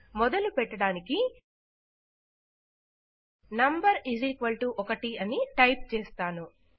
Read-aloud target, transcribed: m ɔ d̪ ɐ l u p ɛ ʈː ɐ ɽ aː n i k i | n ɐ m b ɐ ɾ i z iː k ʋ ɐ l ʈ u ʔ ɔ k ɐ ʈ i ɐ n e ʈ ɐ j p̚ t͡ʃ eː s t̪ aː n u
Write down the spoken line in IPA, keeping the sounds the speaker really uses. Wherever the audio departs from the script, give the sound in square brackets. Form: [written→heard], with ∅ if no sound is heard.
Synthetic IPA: m ɔ d̪ ɐ l u p ɛ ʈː ɐ ɽ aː n i k i | n ɐ m b ɐ ɾ i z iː k ʋ ɐ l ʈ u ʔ ɔ k ɐ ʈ i ɐ n [e→i] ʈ ɐ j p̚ t͡ʃ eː s t̪ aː n u